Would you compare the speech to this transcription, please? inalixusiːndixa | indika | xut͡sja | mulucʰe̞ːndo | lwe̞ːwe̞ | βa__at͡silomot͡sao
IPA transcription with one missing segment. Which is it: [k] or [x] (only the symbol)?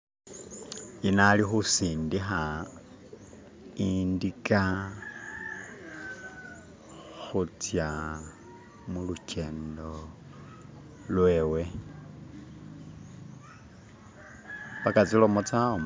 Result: k